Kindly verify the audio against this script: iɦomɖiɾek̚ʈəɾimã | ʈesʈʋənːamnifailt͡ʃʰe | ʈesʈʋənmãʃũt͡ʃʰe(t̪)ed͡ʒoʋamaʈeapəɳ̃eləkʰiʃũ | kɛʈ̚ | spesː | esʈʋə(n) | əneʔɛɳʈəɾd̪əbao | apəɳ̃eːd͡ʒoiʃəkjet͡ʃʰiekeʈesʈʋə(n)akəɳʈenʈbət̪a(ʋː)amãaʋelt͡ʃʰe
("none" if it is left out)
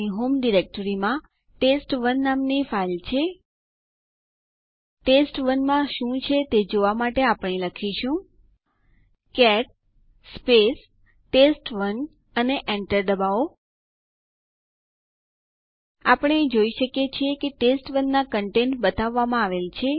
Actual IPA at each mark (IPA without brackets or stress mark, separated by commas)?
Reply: t̪, n, nː, ʋː